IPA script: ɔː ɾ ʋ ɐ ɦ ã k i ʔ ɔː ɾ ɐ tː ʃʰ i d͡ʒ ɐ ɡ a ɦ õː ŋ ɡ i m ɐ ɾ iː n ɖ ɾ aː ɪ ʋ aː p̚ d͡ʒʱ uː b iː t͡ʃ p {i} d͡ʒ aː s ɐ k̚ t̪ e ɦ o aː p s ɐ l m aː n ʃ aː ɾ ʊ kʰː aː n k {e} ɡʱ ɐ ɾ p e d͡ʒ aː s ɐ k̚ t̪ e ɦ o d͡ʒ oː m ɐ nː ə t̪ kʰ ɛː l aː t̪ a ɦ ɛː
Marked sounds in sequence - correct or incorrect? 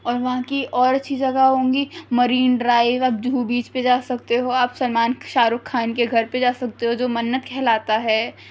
incorrect: e, correct

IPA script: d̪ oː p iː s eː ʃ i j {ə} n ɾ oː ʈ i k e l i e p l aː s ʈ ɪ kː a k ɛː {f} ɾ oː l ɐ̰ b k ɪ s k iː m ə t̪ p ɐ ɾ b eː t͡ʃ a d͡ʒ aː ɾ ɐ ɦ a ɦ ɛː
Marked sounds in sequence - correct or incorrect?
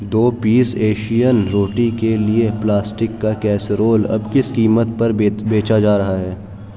correct, incorrect: s

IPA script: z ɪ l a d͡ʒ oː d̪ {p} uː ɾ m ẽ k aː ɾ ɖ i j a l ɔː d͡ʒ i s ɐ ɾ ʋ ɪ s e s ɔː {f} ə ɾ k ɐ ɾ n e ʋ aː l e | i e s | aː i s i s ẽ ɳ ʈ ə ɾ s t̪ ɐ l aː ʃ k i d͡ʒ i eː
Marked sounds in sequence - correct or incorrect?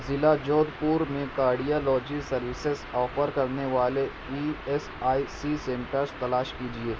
correct, correct

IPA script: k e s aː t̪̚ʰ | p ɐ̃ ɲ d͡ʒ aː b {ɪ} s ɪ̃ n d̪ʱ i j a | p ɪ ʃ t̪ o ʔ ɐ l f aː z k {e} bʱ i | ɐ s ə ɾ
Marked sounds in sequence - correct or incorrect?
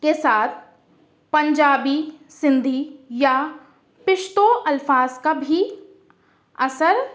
incorrect: i, incorrect: a

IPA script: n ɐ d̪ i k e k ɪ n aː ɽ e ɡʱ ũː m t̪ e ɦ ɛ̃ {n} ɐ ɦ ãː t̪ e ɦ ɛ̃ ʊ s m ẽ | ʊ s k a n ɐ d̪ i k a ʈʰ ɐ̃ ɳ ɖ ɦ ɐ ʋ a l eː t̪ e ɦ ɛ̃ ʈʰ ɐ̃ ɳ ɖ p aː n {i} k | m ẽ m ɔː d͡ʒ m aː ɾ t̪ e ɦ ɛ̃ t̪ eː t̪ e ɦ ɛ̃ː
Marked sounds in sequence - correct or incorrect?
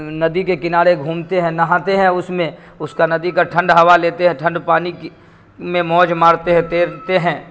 correct, correct

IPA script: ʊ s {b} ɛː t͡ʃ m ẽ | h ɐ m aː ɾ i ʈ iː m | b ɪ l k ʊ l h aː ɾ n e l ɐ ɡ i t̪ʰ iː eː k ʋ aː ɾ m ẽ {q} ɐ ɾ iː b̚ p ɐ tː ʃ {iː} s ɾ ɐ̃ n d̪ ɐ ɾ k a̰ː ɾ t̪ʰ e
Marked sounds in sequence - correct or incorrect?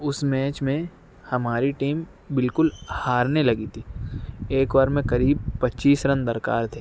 incorrect: m, incorrect: k, correct

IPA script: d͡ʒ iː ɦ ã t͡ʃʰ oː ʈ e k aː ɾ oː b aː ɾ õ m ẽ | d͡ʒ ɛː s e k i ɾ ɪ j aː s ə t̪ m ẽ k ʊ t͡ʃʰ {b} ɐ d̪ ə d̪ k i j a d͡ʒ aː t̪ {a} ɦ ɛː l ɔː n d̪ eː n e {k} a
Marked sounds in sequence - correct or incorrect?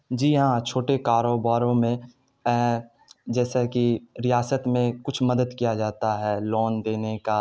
incorrect: m, correct, correct

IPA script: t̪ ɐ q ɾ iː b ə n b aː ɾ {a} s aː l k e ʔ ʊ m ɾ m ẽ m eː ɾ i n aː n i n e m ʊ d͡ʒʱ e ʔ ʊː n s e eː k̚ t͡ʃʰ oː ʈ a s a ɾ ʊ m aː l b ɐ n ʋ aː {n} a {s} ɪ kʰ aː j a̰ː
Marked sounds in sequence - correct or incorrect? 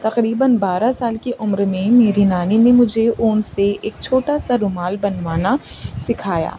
correct, correct, correct

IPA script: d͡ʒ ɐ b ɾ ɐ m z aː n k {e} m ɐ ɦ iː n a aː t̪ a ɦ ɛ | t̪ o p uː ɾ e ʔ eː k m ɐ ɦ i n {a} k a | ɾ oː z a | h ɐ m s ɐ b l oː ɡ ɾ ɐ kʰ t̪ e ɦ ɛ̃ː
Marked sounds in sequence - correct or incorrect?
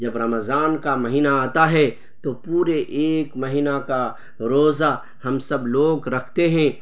incorrect: a, correct

